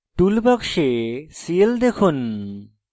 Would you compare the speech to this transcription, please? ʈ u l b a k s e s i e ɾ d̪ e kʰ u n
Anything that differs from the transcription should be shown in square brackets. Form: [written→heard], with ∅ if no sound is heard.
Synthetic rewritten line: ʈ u l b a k [s→ʃ] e s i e [ɾ→l] d̪ e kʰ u n

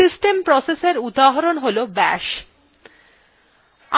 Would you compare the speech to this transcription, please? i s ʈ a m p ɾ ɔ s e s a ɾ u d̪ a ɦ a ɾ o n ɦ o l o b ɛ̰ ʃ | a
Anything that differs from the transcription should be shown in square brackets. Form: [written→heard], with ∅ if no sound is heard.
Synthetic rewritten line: i s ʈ [a→e] m p ɾ ɔ s e s [a→e] ɾ u d̪ a ɦ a ɾ o n ɦ o l o b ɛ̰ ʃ | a

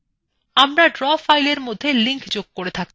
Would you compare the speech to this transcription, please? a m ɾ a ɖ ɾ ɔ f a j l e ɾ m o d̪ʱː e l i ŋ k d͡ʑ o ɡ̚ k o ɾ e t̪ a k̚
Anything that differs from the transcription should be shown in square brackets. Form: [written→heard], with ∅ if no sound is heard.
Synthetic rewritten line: a m ɾ a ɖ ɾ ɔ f a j l e ɾ m o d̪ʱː e l i ŋ k d͡ʑ o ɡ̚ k o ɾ e [t̪→t̪ʰ] a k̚

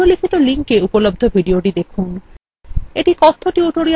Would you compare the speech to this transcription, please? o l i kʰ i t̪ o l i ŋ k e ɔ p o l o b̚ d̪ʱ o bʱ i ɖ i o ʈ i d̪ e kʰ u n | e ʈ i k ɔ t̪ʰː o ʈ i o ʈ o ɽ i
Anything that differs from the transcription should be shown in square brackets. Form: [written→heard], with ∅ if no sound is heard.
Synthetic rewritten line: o l i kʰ i t̪ o l i ŋ k e [ɔ→u] p o l o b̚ d̪ʱ o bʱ i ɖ i o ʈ i d̪ e kʰ u n | e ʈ i k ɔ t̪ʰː o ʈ i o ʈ o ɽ i

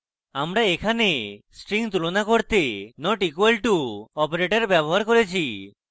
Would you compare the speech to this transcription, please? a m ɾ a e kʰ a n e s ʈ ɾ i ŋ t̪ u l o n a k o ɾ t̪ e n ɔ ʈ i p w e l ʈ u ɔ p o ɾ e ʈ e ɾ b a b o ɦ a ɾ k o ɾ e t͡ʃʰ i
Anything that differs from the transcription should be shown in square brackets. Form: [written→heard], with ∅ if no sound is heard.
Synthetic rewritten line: a m ɾ a e kʰ a n e s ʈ ɾ i ŋ t̪ u l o n a k o ɾ t̪ e n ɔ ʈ i [p→k] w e l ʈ u ɔ p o ɾ e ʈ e ɾ b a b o ɦ a ɾ k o ɾ e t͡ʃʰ i

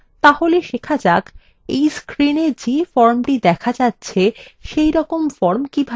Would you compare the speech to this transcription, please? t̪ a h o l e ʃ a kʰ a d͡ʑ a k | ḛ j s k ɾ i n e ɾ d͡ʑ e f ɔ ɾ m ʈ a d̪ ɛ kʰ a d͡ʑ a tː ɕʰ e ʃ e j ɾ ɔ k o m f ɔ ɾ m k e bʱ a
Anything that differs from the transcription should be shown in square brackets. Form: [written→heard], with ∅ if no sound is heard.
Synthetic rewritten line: t̪ a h o l e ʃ [a→e] kʰ a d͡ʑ a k | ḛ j s k ɾ i n e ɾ d͡ʑ e f ɔ ɾ m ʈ [a→i] d̪ ɛ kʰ a d͡ʑ a tː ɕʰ e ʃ e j ɾ ɔ k o m f ɔ ɾ m k [e→i] bʱ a

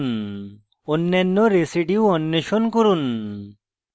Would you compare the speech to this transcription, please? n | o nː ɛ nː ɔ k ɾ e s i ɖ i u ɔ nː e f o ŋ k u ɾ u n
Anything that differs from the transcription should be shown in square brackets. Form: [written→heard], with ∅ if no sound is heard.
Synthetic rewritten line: n | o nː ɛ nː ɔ [k→∅] ɾ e s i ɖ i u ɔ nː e [f→ʃ] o [ŋ→n] k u ɾ u n

